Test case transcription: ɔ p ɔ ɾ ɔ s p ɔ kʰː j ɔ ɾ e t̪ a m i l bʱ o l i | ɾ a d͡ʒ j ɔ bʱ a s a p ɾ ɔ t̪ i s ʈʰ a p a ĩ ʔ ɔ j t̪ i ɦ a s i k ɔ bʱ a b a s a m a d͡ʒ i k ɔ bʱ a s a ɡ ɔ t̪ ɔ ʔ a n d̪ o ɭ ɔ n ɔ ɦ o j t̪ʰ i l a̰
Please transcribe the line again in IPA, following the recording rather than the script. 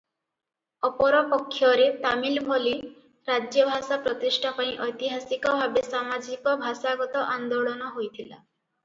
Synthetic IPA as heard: ɔ p ɔ ɾ ɔ p ɔ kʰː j ɔ ɾ e t̪ a m i l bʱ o l i | ɾ a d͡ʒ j ɔ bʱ a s a p ɾ ɔ t̪ i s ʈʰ a p a ĩ ʔ ɔ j t̪ i ɦ a s i k ɔ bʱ a b e s a m a d͡ʒ i k ɔ bʱ a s a ɡ ɔ t̪ ɔ ʔ a n d̪ o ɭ ɔ n ɔ ɦ o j t̪ʰ i l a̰